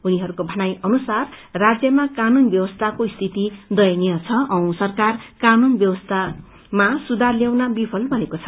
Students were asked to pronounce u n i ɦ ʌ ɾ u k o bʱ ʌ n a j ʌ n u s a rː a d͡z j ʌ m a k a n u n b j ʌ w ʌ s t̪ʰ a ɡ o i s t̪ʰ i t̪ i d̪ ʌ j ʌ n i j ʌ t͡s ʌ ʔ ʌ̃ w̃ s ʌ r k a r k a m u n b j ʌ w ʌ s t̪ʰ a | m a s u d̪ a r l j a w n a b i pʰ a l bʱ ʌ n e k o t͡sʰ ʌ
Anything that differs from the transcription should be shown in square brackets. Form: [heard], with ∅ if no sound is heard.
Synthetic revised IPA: u n i ɦ ʌ ɾ u k o bʱ ʌ n a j ʌ n u s a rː a d͡z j ʌ m a k a n u n b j ʌ w ʌ s t̪ʰ a [k] o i s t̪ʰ i t̪ i d̪ ʌ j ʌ n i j ʌ [t͡sʰ] ʌ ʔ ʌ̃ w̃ s ʌ r k a r k a [n] u n b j ʌ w ʌ s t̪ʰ a | m a s u d̪ a r l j a w n a b i pʰ [ʌ] l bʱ ʌ n e k o t͡sʰ ʌ